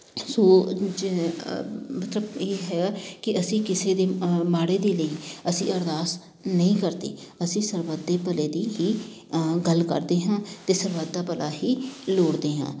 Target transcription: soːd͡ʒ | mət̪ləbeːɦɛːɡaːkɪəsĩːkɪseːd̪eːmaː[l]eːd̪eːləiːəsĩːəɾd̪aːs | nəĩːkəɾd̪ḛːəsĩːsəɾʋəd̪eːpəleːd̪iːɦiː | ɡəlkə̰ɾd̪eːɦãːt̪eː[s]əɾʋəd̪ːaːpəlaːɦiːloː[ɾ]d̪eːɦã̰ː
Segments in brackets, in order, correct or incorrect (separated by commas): incorrect, correct, incorrect